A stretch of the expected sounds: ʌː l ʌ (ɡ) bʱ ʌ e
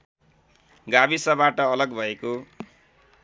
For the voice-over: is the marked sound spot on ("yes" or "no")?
yes